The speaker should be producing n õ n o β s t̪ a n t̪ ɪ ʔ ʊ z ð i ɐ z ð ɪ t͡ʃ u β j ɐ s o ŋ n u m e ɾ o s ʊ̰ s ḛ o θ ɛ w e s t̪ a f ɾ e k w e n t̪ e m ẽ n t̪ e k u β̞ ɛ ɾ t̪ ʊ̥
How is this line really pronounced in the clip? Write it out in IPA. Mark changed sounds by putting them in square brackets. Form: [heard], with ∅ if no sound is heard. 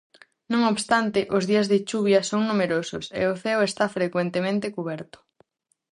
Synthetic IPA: n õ [ŋ] o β s t̪ a n t̪ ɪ ʔ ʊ z ð i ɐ z ð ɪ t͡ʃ u β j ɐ s o ŋ n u m e ɾ o s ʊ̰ s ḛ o θ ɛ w e s t̪ a f ɾ e k w e n t̪ e m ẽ n t̪ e k u β̞ ɛ ɾ t̪ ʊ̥